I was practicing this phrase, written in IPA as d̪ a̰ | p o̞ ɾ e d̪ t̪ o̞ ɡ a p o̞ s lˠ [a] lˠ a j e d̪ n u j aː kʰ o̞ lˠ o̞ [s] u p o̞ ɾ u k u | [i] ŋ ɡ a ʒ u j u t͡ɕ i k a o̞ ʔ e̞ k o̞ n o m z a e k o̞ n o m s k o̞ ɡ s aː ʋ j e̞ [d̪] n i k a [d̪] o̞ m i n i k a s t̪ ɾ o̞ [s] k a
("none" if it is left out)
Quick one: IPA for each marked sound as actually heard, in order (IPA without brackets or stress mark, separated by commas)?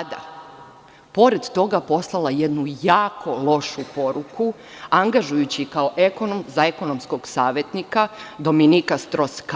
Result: a, ʃ, a, t̪, d̪, s